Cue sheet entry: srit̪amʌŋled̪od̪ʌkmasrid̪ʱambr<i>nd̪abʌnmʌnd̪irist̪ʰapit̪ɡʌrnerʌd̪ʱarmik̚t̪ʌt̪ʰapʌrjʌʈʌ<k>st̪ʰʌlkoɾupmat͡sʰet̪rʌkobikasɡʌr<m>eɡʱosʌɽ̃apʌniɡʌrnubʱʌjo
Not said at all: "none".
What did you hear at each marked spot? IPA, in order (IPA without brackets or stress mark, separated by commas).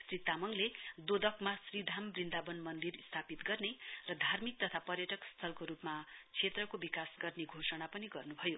i, k, n